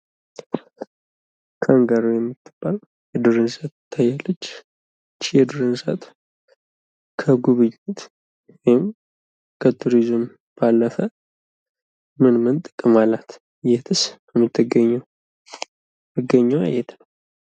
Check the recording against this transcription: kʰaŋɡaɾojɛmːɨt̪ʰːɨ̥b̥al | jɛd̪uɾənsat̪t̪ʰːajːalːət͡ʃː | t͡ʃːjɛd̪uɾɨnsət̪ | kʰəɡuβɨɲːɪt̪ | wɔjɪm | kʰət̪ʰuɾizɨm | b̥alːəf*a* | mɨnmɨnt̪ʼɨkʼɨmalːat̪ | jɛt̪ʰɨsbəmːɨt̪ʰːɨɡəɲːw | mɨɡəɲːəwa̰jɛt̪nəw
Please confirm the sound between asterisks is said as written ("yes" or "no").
no